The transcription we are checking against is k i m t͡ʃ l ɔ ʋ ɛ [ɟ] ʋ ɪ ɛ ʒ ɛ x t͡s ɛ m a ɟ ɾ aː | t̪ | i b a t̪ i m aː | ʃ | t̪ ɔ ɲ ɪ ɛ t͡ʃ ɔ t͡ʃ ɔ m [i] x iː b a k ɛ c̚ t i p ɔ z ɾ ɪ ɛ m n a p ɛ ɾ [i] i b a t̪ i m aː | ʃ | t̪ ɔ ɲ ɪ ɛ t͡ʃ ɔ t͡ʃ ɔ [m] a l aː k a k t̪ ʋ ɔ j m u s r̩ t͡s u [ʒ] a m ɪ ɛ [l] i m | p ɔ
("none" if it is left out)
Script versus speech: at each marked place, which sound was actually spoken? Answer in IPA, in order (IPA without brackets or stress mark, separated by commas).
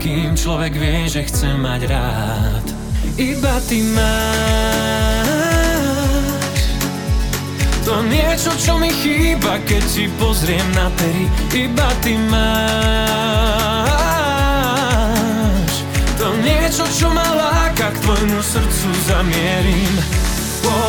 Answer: ɡ, i, i, m, z, ɾ